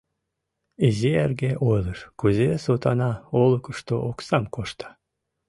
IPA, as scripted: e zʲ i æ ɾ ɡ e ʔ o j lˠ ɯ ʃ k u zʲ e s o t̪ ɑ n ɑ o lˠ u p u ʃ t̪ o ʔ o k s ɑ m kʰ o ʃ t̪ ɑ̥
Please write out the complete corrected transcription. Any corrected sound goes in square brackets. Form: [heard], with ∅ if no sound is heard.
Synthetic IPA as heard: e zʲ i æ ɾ ɡ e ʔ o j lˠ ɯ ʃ k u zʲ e s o t̪ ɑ n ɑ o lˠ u [k] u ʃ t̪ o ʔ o k s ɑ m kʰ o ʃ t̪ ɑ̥